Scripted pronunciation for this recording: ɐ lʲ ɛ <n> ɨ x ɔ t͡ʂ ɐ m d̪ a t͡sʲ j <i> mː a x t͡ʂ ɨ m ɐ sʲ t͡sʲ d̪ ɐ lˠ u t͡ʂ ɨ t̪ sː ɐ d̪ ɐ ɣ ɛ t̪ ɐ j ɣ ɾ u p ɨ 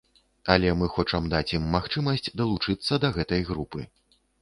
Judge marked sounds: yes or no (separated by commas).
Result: no, yes